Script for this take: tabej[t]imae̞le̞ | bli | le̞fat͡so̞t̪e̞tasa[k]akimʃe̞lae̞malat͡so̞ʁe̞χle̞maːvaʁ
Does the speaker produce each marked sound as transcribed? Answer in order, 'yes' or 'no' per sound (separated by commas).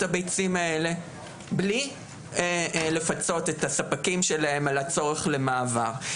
no, no